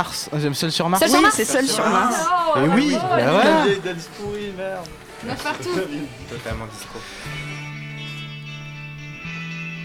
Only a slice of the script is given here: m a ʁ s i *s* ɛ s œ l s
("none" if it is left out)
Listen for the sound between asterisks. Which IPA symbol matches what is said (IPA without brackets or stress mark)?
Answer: s